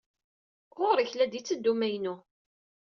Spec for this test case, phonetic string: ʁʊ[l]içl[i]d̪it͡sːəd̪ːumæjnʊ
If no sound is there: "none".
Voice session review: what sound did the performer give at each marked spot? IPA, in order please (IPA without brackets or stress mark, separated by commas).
ɾ, æ